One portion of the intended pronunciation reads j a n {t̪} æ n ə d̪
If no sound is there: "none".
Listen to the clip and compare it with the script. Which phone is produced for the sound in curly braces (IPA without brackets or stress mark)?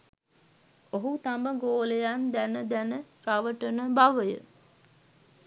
d̪